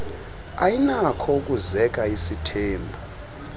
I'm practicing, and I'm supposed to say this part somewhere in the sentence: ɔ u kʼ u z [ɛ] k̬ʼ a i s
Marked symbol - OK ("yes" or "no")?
yes